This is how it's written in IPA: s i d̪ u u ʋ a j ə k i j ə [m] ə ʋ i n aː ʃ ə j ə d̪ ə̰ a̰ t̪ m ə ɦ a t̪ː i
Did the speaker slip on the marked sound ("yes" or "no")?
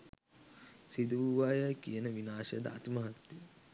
yes